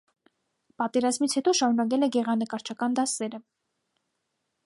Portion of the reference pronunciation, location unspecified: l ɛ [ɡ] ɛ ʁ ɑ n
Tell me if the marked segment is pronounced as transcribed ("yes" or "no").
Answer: yes